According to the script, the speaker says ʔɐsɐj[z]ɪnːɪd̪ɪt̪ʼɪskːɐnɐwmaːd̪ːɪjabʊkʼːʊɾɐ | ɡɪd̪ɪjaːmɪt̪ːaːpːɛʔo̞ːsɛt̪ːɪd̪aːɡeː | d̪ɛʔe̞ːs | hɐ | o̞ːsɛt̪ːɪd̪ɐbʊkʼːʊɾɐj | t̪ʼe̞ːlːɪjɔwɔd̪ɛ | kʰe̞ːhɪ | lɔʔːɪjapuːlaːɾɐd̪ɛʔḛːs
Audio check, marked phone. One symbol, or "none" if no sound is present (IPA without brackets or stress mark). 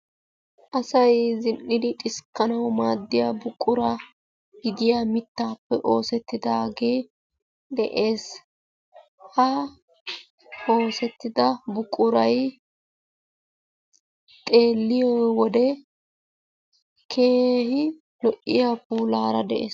z